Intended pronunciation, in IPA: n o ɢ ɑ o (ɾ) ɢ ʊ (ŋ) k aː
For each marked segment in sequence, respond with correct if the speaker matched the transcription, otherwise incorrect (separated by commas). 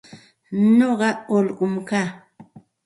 incorrect, incorrect